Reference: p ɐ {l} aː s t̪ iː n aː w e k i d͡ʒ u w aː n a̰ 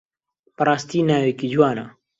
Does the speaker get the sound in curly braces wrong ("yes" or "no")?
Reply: yes